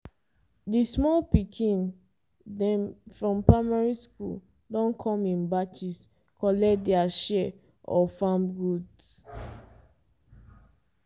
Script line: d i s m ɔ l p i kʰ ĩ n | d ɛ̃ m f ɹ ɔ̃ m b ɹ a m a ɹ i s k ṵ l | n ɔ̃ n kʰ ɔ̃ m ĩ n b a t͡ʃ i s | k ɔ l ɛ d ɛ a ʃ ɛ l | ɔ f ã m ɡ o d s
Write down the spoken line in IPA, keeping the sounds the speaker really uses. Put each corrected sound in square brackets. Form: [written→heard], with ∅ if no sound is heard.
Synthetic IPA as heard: d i s m ɔ l p i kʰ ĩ n | d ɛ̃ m f ɹ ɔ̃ m [b→p] ɹ a m a ɹ i s k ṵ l | [n→d] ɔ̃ n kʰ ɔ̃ m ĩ n b a t͡ʃ i s | k ɔ l ɛ d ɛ a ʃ ɛ [l→∅] | ɔ f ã m ɡ [o→u] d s